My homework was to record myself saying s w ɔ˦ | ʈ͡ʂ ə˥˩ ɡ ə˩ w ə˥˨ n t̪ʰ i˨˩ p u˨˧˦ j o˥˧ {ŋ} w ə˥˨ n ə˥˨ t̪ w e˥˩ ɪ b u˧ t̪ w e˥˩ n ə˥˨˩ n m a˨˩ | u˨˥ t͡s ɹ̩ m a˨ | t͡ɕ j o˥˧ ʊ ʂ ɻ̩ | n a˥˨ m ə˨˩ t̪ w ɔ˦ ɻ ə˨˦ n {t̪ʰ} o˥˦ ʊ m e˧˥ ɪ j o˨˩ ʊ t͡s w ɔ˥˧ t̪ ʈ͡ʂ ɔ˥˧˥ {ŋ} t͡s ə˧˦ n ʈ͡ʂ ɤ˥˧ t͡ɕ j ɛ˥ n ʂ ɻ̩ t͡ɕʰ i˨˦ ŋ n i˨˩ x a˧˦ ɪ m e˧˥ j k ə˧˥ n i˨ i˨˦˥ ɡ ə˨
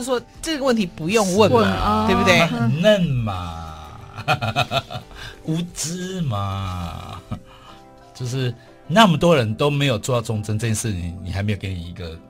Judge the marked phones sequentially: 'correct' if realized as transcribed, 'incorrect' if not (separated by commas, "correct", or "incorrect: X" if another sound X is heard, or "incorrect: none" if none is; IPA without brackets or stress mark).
correct, incorrect: t̪, correct